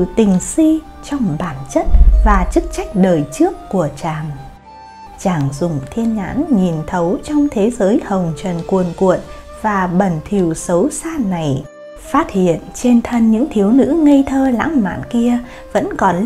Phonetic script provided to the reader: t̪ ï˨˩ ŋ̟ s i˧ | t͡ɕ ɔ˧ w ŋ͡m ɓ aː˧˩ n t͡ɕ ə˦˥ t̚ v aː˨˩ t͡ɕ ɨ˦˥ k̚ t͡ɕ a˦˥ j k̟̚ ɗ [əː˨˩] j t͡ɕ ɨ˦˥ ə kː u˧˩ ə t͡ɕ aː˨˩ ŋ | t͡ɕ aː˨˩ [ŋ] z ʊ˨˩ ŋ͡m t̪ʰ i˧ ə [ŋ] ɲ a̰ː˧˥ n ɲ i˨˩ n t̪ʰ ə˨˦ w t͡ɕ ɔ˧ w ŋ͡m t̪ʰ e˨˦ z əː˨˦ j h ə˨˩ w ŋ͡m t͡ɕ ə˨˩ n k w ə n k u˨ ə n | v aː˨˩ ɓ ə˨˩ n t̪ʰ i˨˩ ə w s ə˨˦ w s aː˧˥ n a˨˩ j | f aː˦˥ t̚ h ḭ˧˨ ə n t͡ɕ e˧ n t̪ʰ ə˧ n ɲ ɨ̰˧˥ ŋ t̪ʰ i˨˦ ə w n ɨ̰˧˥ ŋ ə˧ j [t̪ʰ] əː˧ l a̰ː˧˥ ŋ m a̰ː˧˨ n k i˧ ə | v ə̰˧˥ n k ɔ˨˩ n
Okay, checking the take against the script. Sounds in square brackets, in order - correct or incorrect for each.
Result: correct, correct, incorrect, correct

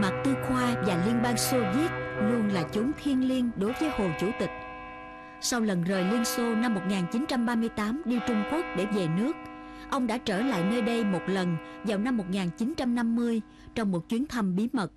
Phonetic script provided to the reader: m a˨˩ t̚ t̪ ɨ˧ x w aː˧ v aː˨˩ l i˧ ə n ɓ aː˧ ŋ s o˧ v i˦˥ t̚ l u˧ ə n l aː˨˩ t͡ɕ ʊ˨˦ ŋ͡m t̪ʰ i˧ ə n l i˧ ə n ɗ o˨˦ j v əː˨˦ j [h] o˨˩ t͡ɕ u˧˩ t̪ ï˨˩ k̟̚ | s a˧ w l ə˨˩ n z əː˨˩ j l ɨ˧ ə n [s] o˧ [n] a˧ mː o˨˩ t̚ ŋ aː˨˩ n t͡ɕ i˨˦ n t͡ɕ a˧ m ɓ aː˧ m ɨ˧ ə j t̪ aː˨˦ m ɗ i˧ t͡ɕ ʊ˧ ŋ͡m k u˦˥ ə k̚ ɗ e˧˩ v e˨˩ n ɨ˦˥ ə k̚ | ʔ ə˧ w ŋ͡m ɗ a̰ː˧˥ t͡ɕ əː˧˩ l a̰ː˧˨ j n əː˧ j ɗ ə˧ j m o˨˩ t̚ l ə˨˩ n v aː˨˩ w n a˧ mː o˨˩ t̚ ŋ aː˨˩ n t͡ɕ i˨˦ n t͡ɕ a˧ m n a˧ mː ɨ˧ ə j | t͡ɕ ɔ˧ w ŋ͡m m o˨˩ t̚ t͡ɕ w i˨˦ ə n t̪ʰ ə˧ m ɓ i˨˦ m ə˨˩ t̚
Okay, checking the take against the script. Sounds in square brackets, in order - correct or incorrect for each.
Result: correct, correct, correct

